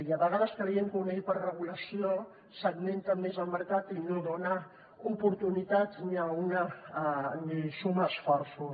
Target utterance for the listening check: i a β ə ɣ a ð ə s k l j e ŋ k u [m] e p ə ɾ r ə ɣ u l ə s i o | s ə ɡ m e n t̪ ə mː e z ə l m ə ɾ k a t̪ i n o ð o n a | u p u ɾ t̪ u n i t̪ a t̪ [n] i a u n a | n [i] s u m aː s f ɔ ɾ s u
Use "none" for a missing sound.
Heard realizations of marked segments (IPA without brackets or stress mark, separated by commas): n, n, i